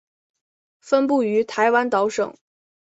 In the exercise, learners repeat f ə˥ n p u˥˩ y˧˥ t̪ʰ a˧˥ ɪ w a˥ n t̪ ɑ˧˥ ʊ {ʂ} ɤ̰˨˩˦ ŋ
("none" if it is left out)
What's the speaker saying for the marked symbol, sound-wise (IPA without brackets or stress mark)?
ʂ